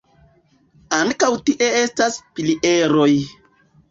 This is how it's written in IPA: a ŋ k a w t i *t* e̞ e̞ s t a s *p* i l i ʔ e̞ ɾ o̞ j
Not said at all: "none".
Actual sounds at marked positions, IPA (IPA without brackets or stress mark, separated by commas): ʔ, p